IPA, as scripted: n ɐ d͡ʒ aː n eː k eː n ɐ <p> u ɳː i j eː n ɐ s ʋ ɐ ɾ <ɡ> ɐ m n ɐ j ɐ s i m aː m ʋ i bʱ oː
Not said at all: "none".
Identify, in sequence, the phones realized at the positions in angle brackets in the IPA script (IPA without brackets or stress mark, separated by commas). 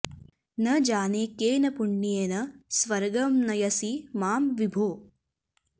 p, ɡ